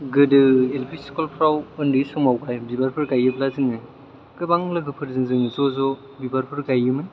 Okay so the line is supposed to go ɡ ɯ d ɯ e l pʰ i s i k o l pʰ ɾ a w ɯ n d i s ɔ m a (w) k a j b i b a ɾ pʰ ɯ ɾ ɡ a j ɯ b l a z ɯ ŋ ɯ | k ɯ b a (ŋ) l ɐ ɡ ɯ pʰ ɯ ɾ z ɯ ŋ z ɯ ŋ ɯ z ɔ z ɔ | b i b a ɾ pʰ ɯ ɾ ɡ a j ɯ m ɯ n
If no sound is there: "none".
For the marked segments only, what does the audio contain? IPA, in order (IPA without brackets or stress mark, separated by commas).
w, ŋ